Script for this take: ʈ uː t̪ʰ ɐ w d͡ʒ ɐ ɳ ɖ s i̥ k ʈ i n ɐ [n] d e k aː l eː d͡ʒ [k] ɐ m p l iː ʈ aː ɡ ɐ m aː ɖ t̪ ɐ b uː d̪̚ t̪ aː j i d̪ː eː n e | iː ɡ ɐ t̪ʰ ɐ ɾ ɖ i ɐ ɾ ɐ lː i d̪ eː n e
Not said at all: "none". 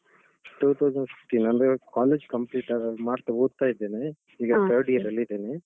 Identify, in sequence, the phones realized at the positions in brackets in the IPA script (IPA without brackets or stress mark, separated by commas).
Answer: n, k